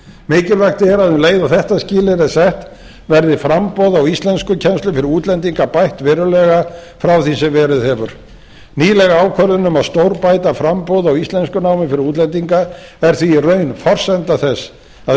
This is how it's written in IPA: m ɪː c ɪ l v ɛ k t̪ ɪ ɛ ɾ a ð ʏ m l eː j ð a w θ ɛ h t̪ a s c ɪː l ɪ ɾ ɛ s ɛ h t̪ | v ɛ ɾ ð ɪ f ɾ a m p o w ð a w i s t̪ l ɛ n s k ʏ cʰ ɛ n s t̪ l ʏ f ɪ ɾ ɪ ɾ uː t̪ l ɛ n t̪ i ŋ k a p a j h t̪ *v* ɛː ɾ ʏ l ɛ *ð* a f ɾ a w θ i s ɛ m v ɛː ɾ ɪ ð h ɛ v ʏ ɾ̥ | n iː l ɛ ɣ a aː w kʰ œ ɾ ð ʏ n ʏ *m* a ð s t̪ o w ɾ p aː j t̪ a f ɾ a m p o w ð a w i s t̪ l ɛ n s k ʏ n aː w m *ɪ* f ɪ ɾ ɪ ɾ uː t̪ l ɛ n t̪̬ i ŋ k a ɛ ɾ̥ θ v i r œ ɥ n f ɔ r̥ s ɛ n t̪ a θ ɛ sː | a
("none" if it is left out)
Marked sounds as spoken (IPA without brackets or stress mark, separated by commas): v, ɣ, m, ɪ